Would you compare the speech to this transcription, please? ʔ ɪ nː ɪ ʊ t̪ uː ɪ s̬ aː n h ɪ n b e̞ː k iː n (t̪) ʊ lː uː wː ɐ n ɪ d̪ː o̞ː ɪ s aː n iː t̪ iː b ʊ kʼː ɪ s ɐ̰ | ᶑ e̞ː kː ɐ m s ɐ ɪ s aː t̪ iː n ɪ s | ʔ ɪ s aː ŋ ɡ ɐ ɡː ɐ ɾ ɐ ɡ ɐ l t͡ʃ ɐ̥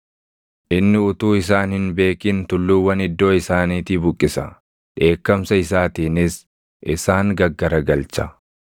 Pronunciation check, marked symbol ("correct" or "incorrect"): correct